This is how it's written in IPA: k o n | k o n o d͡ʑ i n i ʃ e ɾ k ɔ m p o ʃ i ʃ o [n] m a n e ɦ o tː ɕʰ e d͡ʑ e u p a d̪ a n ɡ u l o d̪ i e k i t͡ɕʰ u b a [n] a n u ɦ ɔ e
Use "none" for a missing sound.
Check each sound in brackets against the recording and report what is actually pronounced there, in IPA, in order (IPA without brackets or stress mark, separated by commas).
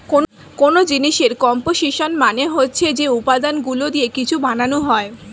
n, n